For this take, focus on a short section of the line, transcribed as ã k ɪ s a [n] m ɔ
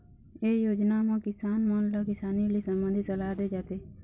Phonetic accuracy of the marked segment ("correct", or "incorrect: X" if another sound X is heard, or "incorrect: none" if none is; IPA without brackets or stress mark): correct